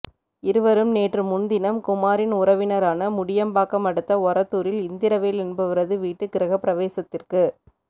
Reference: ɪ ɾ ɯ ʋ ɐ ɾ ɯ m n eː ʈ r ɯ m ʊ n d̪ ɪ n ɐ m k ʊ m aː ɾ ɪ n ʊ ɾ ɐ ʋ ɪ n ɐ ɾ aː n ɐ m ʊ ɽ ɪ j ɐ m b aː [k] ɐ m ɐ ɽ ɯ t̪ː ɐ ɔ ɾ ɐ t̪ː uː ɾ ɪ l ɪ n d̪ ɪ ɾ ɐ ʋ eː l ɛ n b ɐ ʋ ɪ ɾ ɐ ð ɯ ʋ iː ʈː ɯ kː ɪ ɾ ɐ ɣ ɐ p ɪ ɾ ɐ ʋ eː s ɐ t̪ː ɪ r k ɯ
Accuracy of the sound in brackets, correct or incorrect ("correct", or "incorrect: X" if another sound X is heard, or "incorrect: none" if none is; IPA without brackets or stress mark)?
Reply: correct